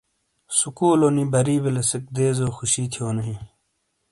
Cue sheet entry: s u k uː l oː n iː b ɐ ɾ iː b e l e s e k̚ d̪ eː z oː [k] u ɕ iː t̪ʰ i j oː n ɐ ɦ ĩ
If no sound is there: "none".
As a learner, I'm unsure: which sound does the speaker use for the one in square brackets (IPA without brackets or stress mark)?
x